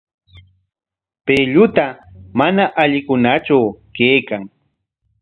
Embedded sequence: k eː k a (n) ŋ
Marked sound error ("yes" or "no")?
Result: yes